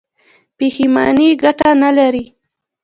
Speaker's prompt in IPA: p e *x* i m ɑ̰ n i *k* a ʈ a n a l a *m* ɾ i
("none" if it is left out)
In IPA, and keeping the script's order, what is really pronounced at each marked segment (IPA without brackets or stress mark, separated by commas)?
x, ɡ, none